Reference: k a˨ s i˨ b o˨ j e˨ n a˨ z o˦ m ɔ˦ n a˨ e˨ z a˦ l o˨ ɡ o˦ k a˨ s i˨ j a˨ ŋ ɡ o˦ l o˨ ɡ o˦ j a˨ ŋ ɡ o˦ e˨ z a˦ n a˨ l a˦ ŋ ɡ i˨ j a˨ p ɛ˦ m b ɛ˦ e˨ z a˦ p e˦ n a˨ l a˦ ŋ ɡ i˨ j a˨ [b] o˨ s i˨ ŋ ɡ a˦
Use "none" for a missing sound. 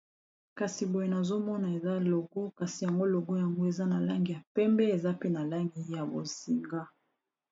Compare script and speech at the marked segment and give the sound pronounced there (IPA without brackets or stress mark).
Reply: b